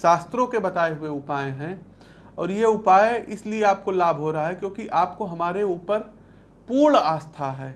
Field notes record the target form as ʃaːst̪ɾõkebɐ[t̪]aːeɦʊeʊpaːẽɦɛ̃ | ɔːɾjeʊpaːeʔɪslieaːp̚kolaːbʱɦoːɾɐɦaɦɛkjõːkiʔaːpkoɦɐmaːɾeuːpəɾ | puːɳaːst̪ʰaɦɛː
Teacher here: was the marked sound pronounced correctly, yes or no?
yes